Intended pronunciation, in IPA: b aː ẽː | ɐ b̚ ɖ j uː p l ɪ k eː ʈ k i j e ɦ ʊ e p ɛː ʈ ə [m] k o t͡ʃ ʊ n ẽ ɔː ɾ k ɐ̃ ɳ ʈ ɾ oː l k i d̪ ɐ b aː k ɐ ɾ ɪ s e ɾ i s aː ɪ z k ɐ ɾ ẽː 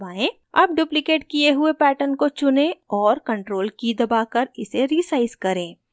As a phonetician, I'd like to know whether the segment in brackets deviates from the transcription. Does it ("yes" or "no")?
yes